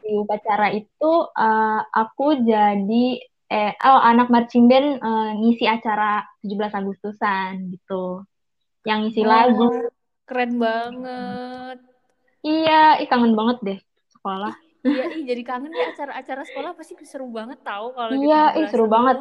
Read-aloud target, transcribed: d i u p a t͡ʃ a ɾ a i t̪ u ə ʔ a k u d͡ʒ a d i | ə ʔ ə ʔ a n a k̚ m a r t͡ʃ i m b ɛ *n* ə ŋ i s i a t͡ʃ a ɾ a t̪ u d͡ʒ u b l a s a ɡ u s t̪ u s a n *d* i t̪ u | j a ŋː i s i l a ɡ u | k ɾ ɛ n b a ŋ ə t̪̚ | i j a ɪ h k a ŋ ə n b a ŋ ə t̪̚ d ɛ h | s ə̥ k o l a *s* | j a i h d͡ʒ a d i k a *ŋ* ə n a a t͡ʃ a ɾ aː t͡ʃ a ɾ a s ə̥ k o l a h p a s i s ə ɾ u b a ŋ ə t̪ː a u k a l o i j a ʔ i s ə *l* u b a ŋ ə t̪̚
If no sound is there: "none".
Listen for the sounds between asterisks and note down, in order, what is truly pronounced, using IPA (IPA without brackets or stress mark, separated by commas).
n, ɡ, h, ŋ, ɾ